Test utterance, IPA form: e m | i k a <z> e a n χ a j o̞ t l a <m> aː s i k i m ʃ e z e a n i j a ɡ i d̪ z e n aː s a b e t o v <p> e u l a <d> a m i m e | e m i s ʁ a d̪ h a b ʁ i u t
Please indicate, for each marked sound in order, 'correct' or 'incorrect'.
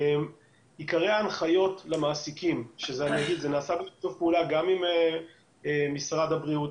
incorrect: ʁ, correct, correct, incorrect: ɡ

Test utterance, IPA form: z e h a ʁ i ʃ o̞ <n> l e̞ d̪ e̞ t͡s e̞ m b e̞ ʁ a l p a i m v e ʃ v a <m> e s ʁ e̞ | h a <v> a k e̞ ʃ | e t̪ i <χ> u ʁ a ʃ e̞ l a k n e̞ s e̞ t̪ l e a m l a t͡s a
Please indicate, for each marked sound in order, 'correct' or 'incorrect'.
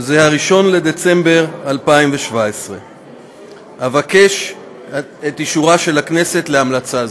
correct, incorrect: none, correct, incorrect: ʃ

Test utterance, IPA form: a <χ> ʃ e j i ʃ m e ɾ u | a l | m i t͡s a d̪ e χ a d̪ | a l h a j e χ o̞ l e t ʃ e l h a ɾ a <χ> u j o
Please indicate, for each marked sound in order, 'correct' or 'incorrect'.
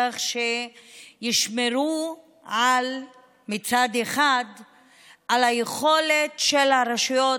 correct, incorrect: ʃ

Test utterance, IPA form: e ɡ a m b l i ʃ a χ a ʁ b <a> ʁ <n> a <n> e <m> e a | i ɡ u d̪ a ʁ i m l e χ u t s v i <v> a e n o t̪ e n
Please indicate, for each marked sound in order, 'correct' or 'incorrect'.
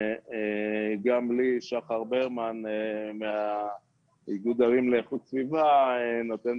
incorrect: e, incorrect: m, correct, correct, correct

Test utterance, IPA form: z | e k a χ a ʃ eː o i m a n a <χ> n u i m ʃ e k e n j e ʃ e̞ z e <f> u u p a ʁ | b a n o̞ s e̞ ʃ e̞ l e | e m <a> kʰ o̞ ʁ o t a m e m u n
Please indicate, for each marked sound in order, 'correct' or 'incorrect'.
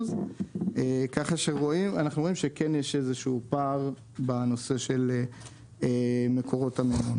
correct, incorrect: ʃ, incorrect: e

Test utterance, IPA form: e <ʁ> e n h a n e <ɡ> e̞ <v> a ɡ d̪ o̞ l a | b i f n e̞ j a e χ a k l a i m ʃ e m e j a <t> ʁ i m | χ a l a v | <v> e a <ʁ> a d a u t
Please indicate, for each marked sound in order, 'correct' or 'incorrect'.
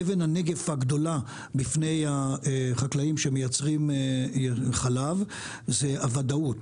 incorrect: v, correct, incorrect: f, incorrect: t͡s, incorrect: z, incorrect: v

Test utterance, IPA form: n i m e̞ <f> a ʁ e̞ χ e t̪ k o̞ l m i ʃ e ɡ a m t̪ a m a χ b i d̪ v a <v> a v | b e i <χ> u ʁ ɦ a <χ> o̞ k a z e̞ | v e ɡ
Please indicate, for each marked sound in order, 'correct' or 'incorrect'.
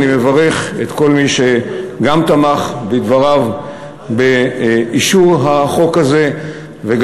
incorrect: v, incorrect: ʁ, incorrect: ʃ, correct

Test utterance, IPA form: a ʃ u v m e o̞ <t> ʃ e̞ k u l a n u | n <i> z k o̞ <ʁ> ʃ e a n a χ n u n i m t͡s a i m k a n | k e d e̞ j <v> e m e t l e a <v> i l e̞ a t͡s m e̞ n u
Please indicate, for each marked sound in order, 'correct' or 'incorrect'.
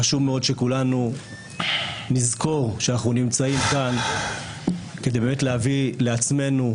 incorrect: d, correct, correct, incorrect: b, correct

